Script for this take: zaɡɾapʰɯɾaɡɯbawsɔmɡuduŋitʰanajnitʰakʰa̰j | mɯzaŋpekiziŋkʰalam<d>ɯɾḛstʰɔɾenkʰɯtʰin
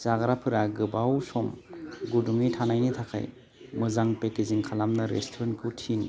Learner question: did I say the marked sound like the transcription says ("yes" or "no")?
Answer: no